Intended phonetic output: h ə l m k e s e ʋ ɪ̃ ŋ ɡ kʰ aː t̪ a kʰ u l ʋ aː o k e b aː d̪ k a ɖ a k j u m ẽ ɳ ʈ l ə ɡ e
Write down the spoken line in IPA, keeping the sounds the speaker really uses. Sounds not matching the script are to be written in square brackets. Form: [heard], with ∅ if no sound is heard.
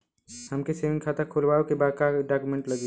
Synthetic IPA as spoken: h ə [∅] m k e s e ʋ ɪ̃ ŋ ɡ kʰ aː t̪ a kʰ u l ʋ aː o k e b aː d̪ k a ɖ a k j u m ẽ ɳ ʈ l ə ɡ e